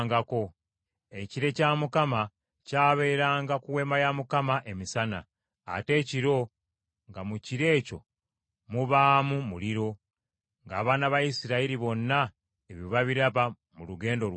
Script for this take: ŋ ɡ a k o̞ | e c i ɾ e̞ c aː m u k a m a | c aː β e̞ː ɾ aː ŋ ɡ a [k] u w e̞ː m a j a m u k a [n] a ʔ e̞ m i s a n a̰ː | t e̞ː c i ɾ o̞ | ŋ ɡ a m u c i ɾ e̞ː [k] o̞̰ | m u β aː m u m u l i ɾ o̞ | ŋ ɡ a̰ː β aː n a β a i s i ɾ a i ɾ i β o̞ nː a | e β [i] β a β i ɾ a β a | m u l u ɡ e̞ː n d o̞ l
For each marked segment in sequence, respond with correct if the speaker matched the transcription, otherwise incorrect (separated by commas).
correct, incorrect, incorrect, correct